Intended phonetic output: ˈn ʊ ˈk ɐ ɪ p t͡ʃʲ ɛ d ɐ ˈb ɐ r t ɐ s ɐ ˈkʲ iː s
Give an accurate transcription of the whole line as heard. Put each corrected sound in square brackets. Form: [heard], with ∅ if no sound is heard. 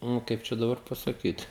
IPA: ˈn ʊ ˈk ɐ ɪ p t͡ʃʲ ɛ d ɐ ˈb ɐ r [p] ɐ s ɐ ˈkʲ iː [t]

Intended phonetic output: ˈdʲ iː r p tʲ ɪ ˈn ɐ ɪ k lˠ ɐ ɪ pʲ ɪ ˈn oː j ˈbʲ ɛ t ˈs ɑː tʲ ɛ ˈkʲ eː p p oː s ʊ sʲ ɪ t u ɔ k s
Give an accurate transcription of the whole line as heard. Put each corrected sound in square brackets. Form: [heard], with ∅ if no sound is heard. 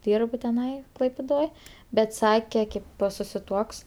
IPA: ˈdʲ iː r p tʲ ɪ ˈn ɐ ɪ k lˠ ɐ ɪ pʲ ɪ [ˈd] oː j ˈbʲ ɛ t ˈs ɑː [kʲ] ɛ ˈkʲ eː p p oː s ʊ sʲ ɪ t u ɔ k s

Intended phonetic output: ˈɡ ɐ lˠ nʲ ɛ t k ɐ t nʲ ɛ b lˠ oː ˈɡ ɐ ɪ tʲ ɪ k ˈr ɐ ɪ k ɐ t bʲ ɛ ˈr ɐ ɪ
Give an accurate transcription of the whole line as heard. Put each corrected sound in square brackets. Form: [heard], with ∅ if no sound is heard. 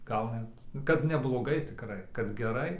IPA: ˈɡ ɐ lˠ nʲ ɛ t k ɐ t nʲ ɛ b lˠ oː ˈɡ ɐ ɪ tʲ ɪ k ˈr ɐ ɪ k ɐ t [ɡʲ] ɛ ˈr ɐ ɪ

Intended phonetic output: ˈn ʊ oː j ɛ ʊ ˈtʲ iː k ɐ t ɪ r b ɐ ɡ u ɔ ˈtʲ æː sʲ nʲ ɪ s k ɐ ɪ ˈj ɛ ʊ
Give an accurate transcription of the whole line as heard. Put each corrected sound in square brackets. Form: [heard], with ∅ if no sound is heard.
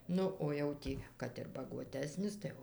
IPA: ˈn ʊ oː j ɛ ʊ ˈtʲ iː k ɐ t ɪ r b ɐ ɡ u ɔ ˈtʲ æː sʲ nʲ ɪ s [t] ɐ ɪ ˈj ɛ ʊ

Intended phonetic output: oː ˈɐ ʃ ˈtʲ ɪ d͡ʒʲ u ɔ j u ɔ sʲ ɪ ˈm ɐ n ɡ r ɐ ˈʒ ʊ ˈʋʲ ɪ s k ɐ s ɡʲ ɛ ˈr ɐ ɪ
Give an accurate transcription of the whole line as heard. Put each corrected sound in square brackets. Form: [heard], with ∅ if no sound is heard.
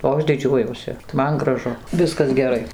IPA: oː ˈɐ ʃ [ˈdʲ] ɪ d͡ʒʲ u ɔ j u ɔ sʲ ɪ ˈm ɐ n ɡ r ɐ ˈʒ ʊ ˈʋʲ ɪ s k ɐ s ɡʲ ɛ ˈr ɐ ɪ

